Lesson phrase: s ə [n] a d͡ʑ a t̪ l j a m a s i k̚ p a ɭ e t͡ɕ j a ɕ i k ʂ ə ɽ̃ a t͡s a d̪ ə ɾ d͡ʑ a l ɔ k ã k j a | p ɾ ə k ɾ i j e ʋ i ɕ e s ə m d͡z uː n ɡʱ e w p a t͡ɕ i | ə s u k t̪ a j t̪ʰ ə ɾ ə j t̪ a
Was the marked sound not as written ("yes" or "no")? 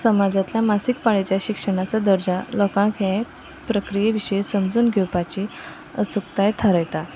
yes